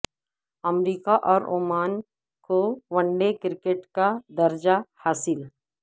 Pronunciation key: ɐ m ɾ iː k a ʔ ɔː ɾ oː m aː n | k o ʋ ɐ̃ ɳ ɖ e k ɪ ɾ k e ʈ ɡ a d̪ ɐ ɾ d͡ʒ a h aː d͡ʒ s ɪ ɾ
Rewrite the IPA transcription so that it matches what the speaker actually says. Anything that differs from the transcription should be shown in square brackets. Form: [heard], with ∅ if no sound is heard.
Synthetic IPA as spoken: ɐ m ɾ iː k a ʔ ɔː ɾ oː m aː n | k o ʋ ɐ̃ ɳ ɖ e k ɪ ɾ k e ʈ [k] a d̪ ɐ ɾ d͡ʒ a h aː [∅] s ɪ [l]